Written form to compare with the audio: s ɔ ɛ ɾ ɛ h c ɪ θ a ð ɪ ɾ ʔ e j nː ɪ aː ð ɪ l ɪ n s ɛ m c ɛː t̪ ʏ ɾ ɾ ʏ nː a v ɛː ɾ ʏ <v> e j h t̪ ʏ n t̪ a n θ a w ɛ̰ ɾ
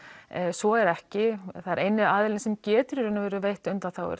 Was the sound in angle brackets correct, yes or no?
yes